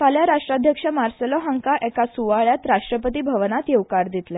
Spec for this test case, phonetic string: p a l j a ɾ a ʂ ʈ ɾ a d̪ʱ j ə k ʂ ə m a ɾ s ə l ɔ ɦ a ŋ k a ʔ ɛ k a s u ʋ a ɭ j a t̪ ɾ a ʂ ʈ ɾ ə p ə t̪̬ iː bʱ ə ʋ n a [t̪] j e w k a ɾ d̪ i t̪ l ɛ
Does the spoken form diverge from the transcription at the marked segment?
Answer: no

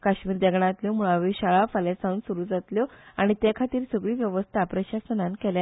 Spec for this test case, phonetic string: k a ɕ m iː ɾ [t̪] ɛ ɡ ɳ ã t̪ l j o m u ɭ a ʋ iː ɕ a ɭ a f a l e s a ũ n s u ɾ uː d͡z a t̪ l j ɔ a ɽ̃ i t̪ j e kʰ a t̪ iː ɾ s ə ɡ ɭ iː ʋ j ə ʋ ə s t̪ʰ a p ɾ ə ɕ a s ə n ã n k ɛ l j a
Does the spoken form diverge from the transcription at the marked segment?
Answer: yes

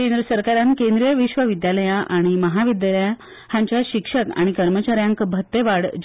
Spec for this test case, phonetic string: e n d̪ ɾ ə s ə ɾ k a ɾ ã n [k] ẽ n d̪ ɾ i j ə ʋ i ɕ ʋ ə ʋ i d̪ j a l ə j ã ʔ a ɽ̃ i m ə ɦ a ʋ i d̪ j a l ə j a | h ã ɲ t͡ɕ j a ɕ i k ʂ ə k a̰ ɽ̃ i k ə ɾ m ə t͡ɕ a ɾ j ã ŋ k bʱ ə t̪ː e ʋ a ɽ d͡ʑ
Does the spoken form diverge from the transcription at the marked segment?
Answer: no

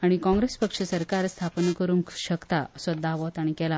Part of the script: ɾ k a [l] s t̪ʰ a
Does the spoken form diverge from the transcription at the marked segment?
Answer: yes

